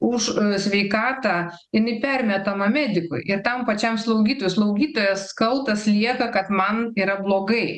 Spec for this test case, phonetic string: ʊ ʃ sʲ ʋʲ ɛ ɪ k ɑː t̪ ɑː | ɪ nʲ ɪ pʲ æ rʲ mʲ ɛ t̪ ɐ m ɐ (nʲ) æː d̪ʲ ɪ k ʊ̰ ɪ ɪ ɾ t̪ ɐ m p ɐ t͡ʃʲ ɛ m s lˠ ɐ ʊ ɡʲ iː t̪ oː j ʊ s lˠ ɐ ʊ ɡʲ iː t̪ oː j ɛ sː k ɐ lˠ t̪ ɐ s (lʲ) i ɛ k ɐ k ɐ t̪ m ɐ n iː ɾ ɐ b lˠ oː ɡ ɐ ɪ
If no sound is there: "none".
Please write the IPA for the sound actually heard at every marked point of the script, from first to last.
mʲ, lʲ

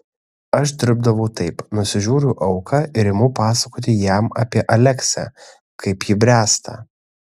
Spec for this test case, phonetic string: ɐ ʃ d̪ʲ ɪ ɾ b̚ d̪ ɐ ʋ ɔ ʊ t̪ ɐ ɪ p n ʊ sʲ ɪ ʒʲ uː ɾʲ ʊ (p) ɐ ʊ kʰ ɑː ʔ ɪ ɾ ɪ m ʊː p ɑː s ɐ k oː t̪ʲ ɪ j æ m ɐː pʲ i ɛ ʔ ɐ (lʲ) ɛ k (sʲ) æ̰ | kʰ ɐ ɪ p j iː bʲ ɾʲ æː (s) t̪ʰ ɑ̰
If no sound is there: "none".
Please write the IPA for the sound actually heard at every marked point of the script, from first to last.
ʔ, lʲ, sʲ, s

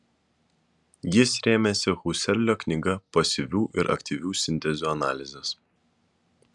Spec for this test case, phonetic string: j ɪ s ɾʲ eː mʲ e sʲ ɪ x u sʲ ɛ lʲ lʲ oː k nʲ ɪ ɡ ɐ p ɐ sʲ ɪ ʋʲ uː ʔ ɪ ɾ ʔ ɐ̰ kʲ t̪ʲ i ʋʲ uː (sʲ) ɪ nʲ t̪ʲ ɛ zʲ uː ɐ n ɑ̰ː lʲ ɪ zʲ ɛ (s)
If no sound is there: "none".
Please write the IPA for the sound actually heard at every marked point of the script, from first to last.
sʲ, s

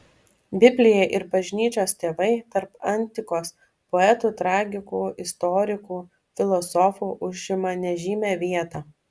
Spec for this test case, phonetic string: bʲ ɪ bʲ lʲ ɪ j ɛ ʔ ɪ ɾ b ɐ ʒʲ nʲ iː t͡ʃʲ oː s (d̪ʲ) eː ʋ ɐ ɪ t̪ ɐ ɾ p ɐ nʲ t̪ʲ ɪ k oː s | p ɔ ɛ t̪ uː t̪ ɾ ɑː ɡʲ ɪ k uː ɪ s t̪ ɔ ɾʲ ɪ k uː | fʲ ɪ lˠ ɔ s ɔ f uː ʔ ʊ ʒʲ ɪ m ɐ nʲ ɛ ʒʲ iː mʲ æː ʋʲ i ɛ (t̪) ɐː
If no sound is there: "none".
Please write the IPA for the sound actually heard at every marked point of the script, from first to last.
t̪ʲ, t̪

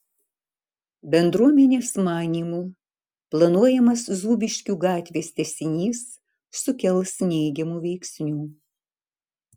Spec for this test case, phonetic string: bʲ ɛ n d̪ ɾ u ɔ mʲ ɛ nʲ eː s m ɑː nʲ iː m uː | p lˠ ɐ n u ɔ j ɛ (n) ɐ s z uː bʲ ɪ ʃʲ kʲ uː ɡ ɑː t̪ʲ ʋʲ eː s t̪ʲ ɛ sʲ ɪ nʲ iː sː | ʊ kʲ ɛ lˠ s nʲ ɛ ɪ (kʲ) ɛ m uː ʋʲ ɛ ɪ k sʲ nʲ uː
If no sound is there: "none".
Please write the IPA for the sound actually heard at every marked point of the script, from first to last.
m, ɡʲ

